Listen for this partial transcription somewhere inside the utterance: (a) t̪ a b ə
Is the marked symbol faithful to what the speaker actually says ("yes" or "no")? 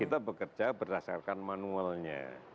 no